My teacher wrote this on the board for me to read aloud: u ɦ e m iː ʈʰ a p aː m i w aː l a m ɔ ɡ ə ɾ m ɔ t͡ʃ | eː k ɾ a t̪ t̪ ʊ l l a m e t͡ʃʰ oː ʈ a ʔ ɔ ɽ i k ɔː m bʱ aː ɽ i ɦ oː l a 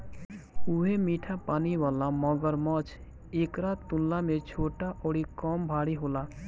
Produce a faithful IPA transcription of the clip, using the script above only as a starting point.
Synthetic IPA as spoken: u ɦ e m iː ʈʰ a p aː n i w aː l a m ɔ ɡ ə ɾ m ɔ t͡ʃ | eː k ɾ a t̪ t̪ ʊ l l a m e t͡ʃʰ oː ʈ a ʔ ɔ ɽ i k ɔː m bʱ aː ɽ i ɦ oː l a